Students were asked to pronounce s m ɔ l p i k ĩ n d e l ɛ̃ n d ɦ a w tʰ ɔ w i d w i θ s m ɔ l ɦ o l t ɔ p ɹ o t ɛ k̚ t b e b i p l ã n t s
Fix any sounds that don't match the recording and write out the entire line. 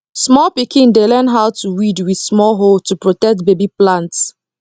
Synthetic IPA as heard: s m ɔ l p i k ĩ n d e l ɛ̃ n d ɦ a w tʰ u w i d w i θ s m ɔ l ɦ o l t u p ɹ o t ɛ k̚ t b e b i p l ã n t s